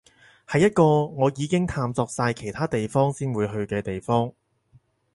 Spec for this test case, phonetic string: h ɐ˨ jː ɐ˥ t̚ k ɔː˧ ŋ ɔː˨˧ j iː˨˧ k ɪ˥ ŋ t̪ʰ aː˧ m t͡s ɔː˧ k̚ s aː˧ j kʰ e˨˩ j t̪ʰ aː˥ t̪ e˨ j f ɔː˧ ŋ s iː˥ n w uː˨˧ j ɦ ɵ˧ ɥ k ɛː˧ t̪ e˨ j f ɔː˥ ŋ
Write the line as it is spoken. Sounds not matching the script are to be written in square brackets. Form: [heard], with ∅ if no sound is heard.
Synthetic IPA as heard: h ɐ˨ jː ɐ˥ t̚ k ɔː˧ ŋ ɔː˨˧ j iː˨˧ k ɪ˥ ŋ t̪ʰ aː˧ m t͡s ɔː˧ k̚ s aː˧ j kʰ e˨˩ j t̪ʰ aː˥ t̪ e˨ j f [ɔː˥] ŋ s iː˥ n w uː˨˧ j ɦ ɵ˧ ɥ k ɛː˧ t̪ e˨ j f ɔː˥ ŋ